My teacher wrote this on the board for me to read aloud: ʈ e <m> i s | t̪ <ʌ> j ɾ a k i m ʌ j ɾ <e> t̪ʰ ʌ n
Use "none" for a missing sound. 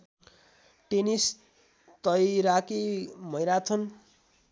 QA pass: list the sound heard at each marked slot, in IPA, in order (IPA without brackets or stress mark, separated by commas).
n, ʌ, a